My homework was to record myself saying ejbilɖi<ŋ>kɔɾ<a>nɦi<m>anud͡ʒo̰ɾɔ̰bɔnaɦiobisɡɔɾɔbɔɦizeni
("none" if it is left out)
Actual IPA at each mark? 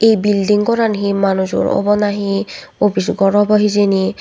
ŋ, a, m

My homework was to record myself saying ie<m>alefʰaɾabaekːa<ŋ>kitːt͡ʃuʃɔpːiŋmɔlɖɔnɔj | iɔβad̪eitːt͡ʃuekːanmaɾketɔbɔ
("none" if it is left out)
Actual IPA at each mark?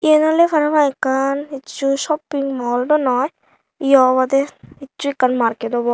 n, n

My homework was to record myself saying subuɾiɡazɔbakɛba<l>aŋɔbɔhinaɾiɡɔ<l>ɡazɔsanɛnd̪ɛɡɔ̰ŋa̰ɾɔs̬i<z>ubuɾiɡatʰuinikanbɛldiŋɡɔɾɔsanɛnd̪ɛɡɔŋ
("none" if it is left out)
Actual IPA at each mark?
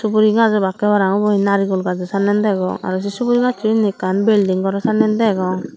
ɾ, l, s

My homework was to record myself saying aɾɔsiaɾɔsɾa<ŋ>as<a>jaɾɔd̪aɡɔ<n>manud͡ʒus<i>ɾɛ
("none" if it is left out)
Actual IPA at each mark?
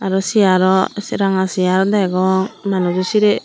ŋ, i, ŋ, i

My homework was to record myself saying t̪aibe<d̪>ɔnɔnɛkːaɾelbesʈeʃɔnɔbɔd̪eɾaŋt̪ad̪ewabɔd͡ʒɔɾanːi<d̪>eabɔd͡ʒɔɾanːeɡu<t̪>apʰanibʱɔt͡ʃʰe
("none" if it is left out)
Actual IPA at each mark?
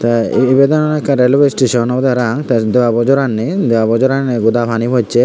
d̪, d̪, d̪

